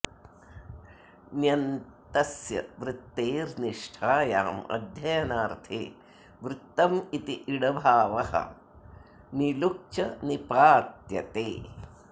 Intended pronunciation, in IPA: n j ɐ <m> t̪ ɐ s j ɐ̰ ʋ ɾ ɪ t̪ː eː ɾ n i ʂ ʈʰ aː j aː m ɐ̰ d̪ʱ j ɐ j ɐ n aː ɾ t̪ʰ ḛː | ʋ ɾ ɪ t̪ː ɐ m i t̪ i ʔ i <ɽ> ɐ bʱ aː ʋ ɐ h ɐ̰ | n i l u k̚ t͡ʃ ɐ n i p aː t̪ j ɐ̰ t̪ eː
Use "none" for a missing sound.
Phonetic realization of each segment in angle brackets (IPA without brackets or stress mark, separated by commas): n, ɽ